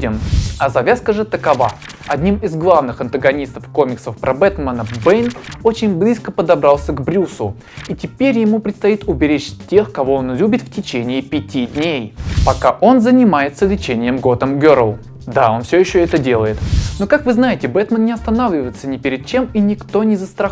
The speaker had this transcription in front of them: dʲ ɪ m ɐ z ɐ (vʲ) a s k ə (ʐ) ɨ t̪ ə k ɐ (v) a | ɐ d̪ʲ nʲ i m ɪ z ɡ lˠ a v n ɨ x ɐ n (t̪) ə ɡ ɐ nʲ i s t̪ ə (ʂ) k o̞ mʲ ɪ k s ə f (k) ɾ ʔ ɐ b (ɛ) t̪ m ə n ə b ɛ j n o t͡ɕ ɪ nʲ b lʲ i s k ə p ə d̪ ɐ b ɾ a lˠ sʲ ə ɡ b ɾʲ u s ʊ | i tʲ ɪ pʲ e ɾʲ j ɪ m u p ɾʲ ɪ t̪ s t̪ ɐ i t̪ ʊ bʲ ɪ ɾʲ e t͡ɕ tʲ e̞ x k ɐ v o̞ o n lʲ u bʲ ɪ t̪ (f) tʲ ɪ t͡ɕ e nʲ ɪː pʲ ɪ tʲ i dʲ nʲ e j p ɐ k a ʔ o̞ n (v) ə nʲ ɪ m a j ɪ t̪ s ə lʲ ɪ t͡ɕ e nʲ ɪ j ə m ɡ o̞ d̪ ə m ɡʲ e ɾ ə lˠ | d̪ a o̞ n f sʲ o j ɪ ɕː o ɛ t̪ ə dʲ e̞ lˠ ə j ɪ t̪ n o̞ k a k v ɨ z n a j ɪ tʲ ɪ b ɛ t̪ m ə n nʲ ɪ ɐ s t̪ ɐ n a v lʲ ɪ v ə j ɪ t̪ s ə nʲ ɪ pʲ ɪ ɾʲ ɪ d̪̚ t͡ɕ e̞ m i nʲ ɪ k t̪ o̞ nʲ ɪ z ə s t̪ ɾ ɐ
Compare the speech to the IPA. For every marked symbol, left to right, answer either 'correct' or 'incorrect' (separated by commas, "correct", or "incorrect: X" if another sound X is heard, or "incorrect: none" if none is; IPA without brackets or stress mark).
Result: correct, correct, correct, correct, incorrect: f, incorrect: p, correct, correct, incorrect: z